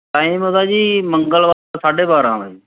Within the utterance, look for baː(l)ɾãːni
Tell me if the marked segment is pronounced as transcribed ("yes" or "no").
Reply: no